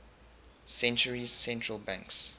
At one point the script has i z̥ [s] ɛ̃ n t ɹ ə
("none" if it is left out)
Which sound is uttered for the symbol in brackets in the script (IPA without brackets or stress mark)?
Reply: s